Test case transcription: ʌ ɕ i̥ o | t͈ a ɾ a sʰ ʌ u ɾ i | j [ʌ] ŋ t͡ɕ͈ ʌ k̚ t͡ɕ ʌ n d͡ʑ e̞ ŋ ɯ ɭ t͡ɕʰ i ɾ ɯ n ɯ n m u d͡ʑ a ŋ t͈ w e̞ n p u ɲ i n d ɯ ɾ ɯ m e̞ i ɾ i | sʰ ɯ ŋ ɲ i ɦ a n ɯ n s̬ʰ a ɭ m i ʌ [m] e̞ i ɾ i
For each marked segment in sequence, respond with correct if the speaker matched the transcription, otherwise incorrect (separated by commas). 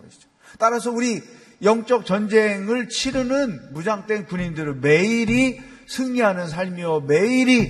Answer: correct, correct